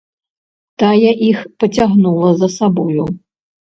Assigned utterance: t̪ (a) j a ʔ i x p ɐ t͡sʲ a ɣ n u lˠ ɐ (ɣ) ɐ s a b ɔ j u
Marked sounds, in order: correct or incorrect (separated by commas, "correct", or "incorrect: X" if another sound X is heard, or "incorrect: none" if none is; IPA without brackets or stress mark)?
correct, incorrect: z